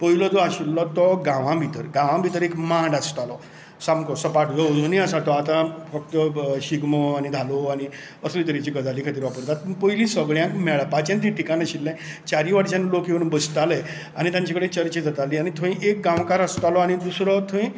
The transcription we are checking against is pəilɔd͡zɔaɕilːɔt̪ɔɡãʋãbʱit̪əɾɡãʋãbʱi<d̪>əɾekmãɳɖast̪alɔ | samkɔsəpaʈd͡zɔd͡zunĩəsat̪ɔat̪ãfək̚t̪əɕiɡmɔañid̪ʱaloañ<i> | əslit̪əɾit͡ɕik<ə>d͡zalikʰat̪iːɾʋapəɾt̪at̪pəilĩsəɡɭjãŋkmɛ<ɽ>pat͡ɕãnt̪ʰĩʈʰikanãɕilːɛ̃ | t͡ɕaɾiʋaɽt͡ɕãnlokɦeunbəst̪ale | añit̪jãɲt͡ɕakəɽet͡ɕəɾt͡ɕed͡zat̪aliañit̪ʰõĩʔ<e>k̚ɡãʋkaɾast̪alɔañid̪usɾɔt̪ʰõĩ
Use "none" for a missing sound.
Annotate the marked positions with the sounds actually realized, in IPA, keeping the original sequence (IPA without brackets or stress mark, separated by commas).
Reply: t̪, i, ə, ɭ, e